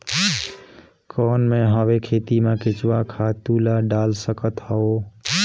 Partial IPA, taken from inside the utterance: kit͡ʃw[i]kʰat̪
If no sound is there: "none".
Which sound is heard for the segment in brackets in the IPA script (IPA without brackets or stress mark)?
a